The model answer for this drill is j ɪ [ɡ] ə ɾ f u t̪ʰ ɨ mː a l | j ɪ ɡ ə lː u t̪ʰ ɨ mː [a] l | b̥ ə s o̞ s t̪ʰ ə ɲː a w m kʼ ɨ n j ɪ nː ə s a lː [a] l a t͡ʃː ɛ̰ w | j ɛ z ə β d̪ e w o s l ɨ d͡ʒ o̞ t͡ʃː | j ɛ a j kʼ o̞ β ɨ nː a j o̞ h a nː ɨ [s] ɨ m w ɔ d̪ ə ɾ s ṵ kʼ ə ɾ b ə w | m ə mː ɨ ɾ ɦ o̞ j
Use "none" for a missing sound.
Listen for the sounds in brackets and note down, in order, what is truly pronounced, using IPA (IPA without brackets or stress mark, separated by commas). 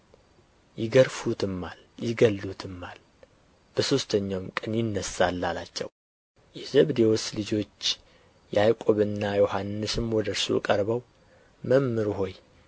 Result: ɡ, a, a, s